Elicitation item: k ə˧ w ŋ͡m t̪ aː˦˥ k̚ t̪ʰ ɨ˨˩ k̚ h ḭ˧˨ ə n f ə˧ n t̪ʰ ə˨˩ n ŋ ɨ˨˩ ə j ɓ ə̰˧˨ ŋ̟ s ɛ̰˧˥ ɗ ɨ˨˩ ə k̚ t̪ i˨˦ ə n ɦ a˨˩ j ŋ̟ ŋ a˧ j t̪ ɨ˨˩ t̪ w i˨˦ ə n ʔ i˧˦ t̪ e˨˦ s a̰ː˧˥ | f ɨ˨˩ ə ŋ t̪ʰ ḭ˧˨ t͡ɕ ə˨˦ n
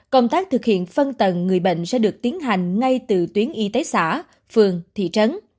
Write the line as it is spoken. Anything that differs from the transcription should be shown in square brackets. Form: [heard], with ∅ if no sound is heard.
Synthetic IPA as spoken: k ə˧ w ŋ͡m t̪ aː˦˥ k̚ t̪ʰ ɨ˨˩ k̚ h ḭ˧˨ ə n f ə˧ n [t̪] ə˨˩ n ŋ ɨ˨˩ ə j ɓ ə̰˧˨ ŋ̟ s ɛ̰˧˥ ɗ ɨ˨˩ ə k̚ t̪ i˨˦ ə n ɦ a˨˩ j ŋ̟ ŋ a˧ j t̪ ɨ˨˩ t̪ w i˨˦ ə n ʔ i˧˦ t̪ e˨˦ s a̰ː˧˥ | f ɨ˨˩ ə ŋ t̪ʰ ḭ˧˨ t͡ɕ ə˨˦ n

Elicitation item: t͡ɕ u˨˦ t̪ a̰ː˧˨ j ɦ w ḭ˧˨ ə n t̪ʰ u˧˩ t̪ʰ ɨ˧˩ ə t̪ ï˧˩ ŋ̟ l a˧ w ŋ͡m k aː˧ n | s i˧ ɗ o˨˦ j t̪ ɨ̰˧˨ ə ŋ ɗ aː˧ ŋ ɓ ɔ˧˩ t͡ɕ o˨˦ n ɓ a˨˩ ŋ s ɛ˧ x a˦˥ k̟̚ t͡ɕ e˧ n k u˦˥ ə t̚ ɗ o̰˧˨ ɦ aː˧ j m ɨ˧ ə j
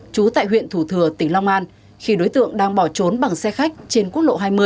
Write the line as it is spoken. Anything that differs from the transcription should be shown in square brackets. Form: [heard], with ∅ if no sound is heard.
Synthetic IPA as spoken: t͡ɕ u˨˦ t̪ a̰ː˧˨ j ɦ w ḭ˧˨ ə n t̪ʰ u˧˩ t̪ʰ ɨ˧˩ ə t̪ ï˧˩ ŋ̟ l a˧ w ŋ͡m [ʔ] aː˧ n | [x] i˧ ɗ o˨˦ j t̪ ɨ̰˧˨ ə ŋ ɗ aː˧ ŋ ɓ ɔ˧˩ t͡ɕ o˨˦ n ɓ a˨˩ ŋ s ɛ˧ x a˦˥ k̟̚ t͡ɕ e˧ n k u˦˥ ə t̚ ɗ o̰˧˨ ɦ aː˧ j m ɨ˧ ə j

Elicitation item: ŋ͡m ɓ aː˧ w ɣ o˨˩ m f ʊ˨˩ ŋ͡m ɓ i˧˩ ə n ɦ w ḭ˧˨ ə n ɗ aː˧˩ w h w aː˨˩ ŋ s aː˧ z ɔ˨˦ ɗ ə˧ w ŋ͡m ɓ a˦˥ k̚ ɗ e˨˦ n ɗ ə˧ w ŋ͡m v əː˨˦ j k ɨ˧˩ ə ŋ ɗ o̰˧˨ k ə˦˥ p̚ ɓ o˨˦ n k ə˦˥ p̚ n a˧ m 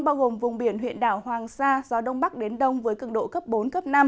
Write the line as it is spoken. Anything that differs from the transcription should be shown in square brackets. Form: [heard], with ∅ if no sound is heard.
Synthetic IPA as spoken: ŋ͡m ɓ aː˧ w ɣ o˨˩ m [v] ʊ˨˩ ŋ͡m ɓ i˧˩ ə n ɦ w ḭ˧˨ ə n ɗ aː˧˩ w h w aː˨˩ ŋ s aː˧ z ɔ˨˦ ɗ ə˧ w ŋ͡m ɓ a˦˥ k̚ ɗ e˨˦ n ɗ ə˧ w ŋ͡m v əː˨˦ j k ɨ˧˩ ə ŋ ɗ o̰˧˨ k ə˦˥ p̚ ɓ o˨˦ n k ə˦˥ p̚ n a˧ m

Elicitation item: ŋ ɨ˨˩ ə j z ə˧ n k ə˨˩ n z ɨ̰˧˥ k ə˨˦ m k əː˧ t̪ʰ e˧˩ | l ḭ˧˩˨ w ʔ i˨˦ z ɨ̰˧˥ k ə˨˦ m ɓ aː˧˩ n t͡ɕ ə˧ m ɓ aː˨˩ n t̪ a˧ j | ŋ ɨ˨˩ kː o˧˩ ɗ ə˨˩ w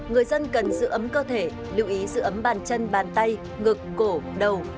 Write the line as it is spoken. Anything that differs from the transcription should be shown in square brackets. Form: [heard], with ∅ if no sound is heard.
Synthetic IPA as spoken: ŋ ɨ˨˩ ə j z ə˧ n k ə˨˩ n z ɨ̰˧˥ [ʔ] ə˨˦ m k əː˧ t̪ʰ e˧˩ | l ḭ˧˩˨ w ʔ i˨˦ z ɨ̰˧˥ [ʔ] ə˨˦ m ɓ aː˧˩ n t͡ɕ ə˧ [n] ɓ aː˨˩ n t̪ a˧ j | ŋ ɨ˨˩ kː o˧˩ ɗ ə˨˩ w

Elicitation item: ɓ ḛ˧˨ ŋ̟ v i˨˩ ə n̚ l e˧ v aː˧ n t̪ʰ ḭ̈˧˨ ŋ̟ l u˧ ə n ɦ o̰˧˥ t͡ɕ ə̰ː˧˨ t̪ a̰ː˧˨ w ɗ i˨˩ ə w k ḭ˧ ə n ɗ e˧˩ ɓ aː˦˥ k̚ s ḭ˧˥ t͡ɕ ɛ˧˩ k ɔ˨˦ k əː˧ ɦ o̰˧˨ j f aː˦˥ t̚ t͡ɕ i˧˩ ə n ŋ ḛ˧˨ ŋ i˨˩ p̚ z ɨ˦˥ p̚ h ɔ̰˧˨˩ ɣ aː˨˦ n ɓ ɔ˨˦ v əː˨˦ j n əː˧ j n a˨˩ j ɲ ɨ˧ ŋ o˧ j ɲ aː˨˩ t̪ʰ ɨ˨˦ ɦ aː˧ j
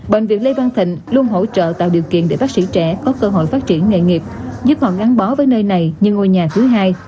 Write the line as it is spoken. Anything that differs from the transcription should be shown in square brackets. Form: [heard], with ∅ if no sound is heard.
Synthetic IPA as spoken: ɓ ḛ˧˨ ŋ̟ v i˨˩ ə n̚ l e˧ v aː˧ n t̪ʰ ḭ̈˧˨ ŋ̟ l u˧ ə n ɦ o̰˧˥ t͡ɕ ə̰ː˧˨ t̪ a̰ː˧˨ w ɗ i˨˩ ə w k ḭ˧ ə n ɗ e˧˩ ɓ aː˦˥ k̚ s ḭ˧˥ t͡ɕ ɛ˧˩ k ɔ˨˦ k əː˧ ɦ o̰˧˨ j f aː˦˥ t̚ t͡ɕ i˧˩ ə n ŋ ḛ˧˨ ŋ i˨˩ p̚ z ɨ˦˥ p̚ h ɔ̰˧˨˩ ɣ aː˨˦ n ɓ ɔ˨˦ v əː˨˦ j n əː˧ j n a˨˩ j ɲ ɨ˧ ŋ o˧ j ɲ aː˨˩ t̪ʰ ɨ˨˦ ɦ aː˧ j

